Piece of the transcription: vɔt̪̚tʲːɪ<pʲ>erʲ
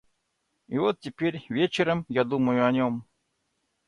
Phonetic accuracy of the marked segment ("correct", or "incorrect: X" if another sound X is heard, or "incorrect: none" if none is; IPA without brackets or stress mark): correct